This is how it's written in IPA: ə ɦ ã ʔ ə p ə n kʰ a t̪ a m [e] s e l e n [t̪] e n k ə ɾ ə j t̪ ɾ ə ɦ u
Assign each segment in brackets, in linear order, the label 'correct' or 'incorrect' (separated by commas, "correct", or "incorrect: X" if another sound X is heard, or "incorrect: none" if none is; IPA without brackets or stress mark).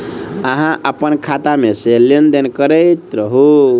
correct, incorrect: d̪